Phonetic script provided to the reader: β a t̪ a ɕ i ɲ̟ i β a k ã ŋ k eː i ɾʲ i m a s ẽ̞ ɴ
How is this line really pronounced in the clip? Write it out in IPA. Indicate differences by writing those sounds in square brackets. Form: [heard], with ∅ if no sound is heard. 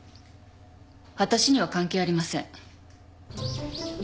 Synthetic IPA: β a t̪ a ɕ i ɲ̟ i β a k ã ŋ k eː [a] ɾʲ i m a s ẽ̞ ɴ